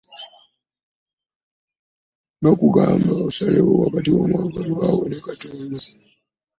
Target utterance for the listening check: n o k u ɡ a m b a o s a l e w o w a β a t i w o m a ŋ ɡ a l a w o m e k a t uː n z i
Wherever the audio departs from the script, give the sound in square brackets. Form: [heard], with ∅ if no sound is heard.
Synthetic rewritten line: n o k u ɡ a m b a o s a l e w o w a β a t i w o m a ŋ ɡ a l a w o [n] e k a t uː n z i

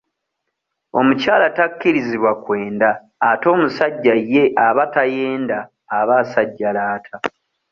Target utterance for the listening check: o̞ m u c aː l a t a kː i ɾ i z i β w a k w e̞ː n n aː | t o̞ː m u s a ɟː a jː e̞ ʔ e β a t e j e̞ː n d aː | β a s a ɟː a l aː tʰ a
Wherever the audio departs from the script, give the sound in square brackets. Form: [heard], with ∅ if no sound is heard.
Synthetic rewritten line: o̞ m u c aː l a t a kː i ɾ i z i β w a k w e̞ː n [d] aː | t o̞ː m u s a ɟː a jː e̞ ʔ [a] β a t [a] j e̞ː n d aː | β a s a ɟː a l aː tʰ a

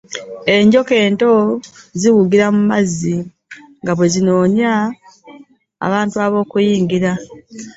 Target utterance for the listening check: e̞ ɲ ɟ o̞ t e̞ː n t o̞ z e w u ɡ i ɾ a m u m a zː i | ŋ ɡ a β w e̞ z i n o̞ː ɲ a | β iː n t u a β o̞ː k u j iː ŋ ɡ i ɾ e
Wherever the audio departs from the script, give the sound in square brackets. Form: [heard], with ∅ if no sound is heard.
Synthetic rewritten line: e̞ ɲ ɟ o̞ [k] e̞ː n t o̞ z [i] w u ɡ i ɾ a m u m a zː i | ŋ ɡ a β w e̞ z i n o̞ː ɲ a | β [aː] n t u a β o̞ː k u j iː ŋ ɡ i ɾ [a]

